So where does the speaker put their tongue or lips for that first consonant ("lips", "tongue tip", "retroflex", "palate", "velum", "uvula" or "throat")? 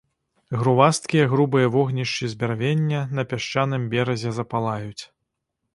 velum